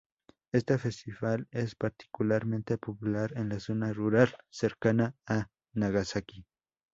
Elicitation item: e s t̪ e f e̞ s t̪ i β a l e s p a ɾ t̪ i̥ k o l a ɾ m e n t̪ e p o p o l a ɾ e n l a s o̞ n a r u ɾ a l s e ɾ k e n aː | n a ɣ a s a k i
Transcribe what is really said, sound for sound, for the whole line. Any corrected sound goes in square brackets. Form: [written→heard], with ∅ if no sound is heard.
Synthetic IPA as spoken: e s t̪ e f e̞ s t̪ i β a l e s p a ɾ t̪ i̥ k [o→u] l a ɾ m e n t̪ e p o p [o→u] l a ɾ e n l a s o̞ n a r u ɾ a l s e ɾ k [e→a] n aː | n a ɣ a s a k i